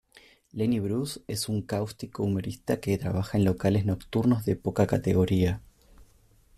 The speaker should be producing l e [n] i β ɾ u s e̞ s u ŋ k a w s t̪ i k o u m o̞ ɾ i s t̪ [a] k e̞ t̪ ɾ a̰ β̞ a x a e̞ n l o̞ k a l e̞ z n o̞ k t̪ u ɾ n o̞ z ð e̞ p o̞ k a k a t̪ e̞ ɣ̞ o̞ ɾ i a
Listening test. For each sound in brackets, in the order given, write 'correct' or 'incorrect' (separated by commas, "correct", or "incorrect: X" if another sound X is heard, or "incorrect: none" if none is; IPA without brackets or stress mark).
correct, correct